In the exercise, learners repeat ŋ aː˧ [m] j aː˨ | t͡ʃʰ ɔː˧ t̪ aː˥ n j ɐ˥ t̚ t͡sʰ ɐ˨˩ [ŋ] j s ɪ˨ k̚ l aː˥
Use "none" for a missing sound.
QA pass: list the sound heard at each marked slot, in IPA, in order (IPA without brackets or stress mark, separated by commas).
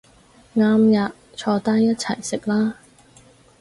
m, none